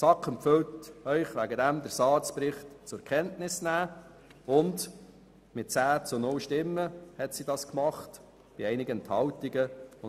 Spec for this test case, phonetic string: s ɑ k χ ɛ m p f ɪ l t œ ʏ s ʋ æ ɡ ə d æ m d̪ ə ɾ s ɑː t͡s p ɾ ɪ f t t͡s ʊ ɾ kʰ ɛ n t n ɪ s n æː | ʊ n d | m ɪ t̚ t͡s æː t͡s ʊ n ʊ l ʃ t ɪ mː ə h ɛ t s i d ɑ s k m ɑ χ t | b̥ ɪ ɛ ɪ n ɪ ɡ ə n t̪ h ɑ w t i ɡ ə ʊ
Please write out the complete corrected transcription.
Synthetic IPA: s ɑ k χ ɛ m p f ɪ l t œ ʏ χ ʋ æ ɡ ə d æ m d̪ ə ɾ s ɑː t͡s p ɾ ɪ χ t t͡s ʊ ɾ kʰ ɛ n t n ɪ s n æː | ʊ n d | m ɪ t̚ t͡s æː t͡s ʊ n ʊ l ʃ t ɪ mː ə h ɛ t s i d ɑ s k m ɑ χ t | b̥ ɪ ɛ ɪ n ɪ ɡ ə n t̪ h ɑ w t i ɡ ə ʊ